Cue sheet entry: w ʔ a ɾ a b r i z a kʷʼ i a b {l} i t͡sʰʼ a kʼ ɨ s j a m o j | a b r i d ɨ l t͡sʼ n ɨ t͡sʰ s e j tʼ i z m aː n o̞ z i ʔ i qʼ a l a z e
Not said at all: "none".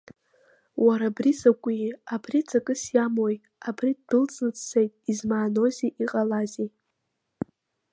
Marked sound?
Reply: r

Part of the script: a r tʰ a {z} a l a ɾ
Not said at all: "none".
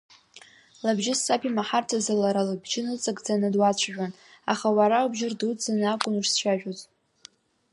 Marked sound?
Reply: z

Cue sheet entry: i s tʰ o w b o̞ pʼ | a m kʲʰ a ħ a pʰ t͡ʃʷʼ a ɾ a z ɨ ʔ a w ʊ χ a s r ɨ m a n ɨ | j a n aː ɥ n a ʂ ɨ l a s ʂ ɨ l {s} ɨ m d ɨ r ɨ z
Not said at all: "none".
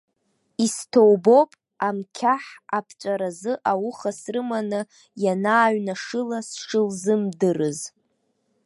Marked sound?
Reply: z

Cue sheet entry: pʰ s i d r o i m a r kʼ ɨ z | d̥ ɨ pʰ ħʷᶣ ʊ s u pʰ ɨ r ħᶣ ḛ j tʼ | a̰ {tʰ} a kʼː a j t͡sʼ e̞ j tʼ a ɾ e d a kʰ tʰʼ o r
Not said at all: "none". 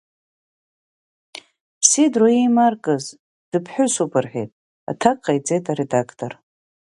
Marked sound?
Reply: tʰ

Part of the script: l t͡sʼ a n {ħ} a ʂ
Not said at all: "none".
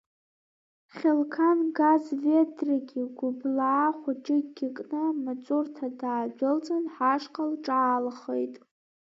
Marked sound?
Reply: ħ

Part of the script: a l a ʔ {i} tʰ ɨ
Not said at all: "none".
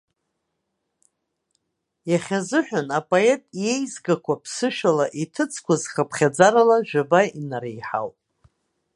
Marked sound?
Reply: i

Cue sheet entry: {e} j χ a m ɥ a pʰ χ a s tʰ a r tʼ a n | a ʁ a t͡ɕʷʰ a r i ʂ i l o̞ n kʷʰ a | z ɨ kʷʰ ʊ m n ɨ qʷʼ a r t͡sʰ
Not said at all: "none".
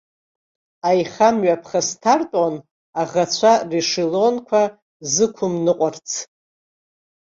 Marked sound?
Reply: a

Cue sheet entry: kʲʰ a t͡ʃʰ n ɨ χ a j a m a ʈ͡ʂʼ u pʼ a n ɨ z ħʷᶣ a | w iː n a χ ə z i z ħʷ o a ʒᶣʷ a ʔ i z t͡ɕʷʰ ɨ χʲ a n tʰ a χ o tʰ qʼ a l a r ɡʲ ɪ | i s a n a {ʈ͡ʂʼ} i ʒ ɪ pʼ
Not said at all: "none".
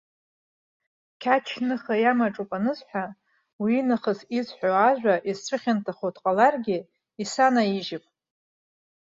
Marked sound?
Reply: none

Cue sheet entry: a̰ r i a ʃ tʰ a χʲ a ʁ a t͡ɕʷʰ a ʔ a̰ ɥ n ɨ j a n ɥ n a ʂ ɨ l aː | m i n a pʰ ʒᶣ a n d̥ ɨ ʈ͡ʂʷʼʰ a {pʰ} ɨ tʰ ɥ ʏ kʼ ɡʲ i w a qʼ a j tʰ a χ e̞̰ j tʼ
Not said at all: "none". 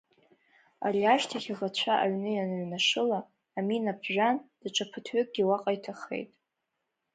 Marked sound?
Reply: pʰ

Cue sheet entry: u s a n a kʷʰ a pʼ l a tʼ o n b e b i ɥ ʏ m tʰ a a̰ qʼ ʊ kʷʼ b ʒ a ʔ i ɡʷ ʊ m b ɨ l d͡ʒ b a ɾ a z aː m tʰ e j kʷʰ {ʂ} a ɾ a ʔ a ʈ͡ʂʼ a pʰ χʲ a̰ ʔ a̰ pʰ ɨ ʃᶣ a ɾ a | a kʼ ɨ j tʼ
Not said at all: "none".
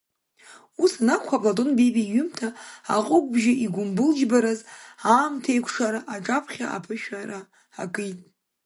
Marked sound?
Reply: ʂ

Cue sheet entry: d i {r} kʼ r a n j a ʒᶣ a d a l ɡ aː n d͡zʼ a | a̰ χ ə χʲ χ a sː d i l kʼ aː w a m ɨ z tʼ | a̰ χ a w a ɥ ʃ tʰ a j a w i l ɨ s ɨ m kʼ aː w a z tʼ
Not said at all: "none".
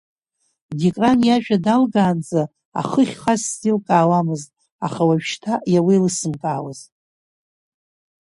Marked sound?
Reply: none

